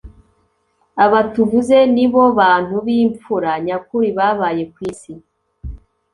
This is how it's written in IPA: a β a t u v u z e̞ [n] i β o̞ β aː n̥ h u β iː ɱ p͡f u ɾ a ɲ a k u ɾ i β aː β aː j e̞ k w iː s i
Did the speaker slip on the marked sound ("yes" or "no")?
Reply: no